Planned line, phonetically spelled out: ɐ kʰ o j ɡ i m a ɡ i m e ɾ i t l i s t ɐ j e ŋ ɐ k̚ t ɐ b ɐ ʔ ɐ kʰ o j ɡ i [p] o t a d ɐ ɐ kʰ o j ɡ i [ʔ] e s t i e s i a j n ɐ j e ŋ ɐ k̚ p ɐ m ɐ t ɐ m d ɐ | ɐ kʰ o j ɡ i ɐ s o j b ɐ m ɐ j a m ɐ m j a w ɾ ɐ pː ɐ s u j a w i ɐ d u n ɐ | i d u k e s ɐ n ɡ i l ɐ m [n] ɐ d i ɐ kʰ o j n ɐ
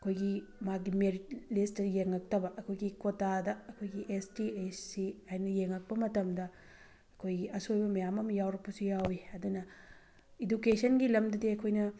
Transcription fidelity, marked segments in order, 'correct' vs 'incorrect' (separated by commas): incorrect, correct, incorrect